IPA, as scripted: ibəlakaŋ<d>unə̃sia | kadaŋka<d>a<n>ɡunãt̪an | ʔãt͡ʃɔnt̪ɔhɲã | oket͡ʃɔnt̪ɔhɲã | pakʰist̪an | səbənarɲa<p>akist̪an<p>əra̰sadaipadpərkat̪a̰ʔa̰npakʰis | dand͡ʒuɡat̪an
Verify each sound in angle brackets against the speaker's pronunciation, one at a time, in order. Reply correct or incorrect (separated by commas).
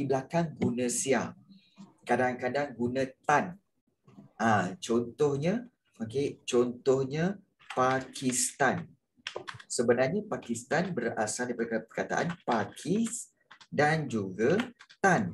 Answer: incorrect, correct, incorrect, correct, incorrect